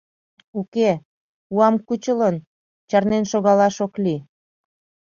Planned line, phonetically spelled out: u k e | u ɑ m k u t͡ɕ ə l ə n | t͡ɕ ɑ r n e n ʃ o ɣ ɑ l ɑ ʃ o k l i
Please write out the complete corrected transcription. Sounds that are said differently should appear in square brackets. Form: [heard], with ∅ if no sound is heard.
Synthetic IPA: u k e | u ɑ m k u t͡ɕ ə l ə n | t͡ɕ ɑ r n e n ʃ o ɣ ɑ l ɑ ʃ o k l i